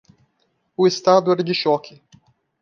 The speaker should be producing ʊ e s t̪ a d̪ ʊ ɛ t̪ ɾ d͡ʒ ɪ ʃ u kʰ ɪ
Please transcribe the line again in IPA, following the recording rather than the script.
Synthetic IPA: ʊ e s t̪ a d̪ ʊ ɛ ɾ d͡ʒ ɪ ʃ ɔ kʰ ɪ